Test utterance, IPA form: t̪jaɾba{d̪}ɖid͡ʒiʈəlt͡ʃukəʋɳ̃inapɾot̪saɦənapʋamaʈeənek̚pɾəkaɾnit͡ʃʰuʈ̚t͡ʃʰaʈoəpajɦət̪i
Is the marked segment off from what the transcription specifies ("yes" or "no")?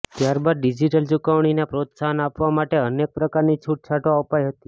no